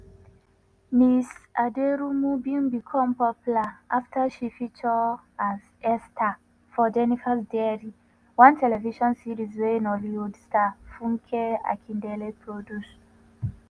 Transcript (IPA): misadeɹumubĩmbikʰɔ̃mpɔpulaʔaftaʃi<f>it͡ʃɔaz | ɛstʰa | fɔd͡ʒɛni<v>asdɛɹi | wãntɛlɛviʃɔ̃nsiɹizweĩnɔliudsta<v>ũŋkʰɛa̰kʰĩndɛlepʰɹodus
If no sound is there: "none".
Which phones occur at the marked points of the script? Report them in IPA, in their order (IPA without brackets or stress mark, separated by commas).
f, f, f